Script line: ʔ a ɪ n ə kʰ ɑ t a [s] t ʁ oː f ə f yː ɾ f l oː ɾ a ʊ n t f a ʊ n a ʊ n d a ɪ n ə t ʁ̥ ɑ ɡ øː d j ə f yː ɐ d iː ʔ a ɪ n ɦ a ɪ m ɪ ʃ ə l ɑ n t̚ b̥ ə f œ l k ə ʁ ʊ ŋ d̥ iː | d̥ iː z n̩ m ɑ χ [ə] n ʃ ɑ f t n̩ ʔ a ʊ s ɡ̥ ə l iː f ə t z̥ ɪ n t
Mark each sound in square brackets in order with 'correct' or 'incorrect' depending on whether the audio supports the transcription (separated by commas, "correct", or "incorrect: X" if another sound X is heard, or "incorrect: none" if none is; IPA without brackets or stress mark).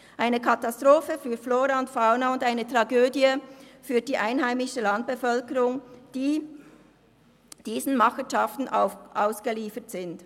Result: correct, correct